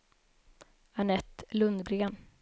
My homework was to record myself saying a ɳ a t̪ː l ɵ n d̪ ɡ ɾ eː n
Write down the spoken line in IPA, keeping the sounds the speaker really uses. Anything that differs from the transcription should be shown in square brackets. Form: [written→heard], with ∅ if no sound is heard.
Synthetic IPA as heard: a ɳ [a→ɛ] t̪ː l ɵ n d̪ ɡ ɾ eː n